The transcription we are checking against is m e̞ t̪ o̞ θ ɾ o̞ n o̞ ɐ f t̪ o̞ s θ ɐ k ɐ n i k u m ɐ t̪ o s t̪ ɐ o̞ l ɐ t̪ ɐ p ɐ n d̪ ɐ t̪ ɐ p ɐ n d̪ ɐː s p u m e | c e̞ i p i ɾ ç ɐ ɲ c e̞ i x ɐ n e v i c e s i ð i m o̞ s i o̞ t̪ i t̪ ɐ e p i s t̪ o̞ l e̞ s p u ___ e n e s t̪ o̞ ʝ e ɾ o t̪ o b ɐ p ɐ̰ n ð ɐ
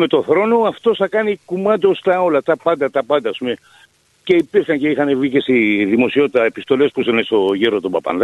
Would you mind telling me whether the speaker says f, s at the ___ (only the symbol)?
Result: s